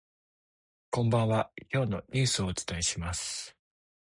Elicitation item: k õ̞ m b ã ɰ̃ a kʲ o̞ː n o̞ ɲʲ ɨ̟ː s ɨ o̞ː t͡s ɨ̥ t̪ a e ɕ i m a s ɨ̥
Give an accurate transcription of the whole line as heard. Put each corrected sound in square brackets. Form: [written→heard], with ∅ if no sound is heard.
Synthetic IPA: k õ̞ m b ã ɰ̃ a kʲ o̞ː n o̞ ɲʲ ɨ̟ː s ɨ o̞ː t͡s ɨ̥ t̪ a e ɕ i m a s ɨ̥